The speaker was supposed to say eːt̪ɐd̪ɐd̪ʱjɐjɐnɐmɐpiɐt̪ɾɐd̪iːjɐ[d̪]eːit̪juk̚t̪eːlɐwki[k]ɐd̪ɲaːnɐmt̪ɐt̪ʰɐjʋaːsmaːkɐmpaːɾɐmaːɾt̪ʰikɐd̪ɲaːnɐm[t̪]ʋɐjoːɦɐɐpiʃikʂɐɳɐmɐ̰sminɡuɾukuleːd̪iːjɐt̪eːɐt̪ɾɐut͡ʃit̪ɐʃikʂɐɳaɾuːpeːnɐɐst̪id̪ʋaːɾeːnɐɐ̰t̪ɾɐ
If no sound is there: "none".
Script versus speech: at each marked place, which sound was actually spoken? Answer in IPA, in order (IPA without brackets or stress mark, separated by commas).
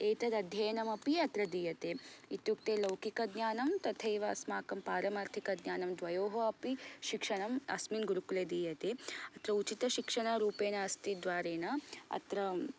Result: t̪, k, d̪